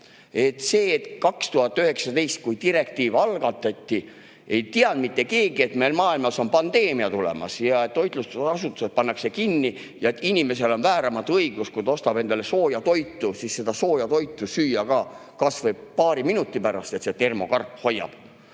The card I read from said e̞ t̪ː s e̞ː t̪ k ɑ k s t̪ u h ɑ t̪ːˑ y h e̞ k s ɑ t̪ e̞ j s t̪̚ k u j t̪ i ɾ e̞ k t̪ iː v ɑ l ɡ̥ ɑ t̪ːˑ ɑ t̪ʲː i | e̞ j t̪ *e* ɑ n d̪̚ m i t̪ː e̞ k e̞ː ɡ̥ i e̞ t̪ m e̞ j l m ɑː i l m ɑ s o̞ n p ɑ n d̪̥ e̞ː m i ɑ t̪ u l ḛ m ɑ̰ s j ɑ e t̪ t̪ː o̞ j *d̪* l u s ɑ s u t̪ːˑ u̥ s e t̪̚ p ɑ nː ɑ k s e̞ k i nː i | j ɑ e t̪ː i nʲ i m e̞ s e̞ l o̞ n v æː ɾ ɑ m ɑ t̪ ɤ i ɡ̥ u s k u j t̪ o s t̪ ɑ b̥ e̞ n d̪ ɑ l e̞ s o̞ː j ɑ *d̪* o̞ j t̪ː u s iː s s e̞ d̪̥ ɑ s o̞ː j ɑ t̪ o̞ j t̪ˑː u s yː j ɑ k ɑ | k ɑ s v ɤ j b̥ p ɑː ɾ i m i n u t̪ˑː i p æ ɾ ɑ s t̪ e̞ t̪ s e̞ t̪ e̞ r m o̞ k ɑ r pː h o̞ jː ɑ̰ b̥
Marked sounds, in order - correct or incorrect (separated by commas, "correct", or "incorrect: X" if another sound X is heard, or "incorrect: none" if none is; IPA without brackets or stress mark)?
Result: incorrect: i, incorrect: t̪, incorrect: t̪